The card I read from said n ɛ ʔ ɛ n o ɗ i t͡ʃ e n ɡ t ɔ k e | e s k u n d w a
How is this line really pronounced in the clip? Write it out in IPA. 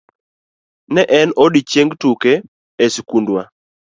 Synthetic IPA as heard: n ɛ ʔ ɛ n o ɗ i t͡ʃ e ŋ ɡ t u k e | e s k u n d w a